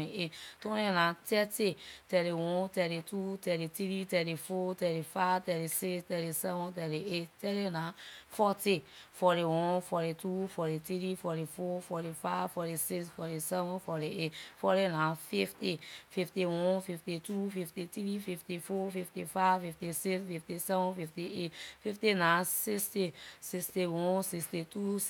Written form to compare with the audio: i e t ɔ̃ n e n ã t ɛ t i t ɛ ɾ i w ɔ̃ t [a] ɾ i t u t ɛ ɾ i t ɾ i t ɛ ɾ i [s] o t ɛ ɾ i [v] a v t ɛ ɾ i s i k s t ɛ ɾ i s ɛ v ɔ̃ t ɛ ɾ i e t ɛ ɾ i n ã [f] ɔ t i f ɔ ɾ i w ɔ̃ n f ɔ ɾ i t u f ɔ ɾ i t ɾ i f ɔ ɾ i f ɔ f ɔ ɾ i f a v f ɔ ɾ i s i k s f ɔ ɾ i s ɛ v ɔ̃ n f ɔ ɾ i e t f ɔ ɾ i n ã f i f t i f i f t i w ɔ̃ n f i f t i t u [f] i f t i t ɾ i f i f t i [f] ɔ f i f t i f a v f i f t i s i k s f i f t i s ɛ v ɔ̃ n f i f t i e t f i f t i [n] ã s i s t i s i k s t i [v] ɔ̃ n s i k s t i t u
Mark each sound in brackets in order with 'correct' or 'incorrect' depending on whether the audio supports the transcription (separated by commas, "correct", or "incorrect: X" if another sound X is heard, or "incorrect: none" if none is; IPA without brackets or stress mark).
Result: incorrect: ɛ, incorrect: f, incorrect: f, correct, correct, correct, correct, incorrect: w